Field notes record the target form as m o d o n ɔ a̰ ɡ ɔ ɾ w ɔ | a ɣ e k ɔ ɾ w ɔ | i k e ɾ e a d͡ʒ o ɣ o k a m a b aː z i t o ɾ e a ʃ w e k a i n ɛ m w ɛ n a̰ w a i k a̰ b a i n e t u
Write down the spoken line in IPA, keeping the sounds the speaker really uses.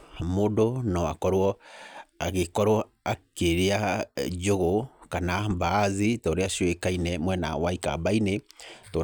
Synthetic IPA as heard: m o d o n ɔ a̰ k ɔ ɾ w ɔ | a ɣ e k ɔ ɾ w ɔ | a k e ɾ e a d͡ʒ o ɣ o k a n a b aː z i t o ɾ e a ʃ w e k a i n ɛ m w ɛ n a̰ w a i k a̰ b a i n e t o